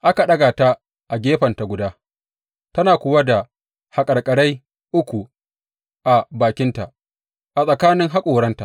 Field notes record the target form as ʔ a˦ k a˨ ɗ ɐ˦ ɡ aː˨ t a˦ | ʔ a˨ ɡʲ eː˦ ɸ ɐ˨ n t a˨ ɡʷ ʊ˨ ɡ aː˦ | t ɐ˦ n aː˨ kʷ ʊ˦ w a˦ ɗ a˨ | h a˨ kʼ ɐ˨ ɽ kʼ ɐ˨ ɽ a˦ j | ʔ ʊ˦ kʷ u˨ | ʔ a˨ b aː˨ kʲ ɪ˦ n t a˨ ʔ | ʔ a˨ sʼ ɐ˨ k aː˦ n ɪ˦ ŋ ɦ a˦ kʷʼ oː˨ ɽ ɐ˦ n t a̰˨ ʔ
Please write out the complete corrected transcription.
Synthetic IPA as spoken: ʔ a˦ k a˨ ɗ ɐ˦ ɡ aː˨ t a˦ | ʔ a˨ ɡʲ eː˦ ɸ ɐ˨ n t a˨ ɡʷ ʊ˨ d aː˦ | t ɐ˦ n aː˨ kʷ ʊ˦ w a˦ d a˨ | h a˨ kʼ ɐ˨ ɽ kʼ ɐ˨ ɽ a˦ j | ʔ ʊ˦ kʷ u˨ | ʔ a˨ b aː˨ kʲ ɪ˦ n t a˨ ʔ | ʔ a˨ sʼ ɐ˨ k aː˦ n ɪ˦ ŋ ɦ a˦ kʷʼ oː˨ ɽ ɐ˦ n t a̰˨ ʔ

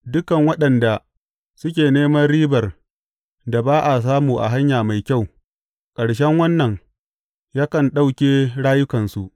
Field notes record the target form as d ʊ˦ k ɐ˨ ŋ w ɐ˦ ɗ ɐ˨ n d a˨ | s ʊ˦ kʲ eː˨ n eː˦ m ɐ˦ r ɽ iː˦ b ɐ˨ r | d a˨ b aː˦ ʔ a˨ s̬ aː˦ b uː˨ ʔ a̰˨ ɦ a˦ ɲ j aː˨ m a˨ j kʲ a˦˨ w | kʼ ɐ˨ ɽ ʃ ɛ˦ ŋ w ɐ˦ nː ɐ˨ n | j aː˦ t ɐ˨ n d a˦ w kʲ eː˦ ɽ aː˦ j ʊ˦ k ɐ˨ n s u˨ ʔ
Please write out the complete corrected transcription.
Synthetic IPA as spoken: d ʊ˦ k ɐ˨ ŋ w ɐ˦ ɗ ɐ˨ n d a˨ | s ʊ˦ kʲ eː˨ n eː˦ m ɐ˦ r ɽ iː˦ b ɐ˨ r | d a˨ b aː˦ ʔ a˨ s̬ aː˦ m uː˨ ʔ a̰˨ ɦ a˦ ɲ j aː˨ m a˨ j kʲ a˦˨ w | kʼ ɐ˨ ɽ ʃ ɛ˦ ŋ w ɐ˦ nː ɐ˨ ŋ | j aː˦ k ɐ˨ n ɗ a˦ w kʲ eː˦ ɽ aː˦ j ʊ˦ k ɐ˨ n s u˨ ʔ

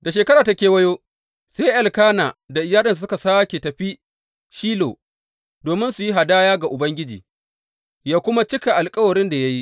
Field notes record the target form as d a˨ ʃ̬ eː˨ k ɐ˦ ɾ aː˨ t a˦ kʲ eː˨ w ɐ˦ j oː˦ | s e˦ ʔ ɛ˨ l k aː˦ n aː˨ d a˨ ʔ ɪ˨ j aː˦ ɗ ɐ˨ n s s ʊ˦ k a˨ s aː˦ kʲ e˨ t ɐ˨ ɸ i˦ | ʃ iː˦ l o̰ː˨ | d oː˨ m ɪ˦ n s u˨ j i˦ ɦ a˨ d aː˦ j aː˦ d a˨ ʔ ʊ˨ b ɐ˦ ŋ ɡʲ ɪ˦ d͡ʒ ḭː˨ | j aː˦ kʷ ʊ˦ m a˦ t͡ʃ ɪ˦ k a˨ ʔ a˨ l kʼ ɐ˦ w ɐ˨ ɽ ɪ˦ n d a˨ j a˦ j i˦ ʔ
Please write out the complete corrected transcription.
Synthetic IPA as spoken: d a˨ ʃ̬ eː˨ k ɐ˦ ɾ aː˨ t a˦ kʲ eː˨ w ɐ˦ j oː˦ | s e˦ ʔ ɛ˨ l k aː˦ n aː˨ d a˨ ʔ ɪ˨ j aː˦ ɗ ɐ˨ n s s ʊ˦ k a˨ s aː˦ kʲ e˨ t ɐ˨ ɸ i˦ | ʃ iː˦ l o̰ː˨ | d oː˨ m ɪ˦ n s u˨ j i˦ ɦ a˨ d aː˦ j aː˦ ɡ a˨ ʔ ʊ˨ b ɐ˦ ŋ ɡʲ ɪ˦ d͡ʒ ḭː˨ | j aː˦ kʷ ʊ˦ m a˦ t͡ʃ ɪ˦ k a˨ ʔ a˨ l kʼ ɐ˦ w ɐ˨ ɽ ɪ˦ n d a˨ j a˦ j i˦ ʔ

